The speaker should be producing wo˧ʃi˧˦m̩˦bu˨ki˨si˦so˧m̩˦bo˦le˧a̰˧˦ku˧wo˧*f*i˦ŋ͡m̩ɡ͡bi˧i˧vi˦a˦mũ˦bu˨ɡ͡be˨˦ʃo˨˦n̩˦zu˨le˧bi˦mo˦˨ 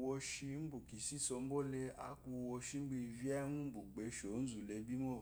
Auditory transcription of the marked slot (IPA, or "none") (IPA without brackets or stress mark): ʃ